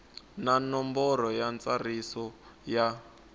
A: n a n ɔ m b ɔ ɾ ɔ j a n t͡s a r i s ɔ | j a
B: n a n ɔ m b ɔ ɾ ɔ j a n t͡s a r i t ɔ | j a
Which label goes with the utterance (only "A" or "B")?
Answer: A